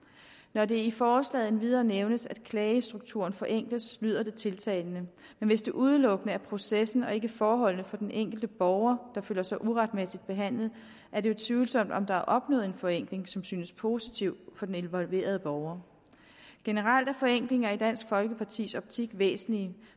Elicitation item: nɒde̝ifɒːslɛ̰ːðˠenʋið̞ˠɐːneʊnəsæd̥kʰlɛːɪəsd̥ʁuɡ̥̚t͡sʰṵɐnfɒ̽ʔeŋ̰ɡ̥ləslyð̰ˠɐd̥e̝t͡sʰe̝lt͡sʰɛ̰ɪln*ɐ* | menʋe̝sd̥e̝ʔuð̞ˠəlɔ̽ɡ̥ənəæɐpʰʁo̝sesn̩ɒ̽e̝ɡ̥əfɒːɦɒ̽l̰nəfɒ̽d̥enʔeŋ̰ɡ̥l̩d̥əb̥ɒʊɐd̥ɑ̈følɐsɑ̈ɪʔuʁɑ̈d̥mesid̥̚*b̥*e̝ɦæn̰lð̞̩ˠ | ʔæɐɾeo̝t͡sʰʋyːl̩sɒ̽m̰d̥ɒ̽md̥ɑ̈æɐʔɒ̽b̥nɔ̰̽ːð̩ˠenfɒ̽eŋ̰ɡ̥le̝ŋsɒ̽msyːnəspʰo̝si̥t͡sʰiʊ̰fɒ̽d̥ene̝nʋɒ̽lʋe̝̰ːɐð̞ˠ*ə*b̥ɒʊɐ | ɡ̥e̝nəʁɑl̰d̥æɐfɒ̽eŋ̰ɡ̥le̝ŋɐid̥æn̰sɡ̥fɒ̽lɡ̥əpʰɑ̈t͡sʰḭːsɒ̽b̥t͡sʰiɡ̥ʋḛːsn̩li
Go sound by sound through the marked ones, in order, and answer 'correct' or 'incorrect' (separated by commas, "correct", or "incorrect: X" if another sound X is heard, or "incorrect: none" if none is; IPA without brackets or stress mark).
incorrect: ə, correct, correct